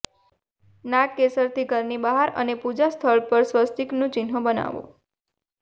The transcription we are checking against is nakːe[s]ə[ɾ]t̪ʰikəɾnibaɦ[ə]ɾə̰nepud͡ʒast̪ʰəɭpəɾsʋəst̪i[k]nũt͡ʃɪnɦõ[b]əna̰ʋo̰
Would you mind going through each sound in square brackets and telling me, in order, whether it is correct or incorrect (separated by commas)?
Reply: correct, correct, incorrect, correct, correct